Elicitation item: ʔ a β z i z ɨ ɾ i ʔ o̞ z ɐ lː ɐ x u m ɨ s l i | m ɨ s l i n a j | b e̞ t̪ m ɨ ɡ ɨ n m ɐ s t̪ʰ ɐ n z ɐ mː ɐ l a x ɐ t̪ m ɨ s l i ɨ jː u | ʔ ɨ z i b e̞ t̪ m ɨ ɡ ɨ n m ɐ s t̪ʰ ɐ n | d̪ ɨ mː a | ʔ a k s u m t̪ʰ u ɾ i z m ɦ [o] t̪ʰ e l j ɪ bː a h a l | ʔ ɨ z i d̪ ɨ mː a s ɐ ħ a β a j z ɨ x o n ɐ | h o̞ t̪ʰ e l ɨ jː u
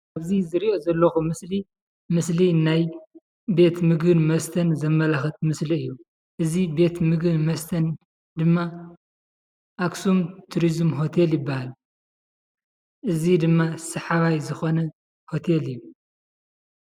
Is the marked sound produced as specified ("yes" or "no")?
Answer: yes